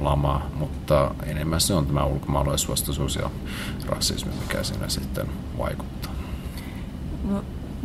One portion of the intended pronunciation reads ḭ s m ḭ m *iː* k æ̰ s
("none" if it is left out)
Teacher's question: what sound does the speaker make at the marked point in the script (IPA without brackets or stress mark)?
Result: i